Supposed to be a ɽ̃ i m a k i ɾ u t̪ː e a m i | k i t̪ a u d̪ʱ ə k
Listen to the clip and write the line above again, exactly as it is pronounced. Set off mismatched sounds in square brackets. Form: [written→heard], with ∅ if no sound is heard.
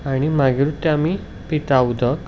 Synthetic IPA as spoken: a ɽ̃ i m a [k→ɡ] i ɾ u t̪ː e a m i | [k→p] i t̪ a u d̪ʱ ə k